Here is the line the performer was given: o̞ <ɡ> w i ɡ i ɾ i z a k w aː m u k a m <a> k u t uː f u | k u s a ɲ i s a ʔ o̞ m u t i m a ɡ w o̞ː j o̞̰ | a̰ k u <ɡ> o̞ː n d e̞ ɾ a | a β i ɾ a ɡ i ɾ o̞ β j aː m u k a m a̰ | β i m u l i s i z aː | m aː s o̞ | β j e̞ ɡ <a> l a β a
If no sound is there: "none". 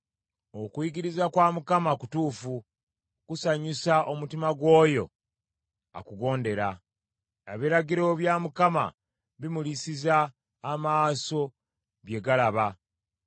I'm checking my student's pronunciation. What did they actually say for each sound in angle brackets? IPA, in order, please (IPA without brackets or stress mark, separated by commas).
k, a, ɡ, a